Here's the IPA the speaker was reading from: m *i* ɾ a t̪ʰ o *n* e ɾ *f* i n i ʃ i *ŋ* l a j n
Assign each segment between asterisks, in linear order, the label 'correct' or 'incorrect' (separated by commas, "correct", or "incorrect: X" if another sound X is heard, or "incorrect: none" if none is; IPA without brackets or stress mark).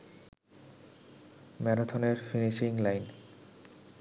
incorrect: ɛ, correct, correct, correct